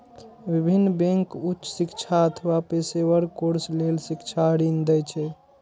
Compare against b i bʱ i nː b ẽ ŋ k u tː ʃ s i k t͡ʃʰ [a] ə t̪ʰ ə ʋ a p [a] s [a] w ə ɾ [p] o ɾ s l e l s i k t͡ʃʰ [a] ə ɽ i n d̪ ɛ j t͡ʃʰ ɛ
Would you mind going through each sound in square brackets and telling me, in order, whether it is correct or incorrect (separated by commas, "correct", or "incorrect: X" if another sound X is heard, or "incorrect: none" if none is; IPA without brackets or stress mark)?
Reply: correct, incorrect: e, incorrect: e, incorrect: k, correct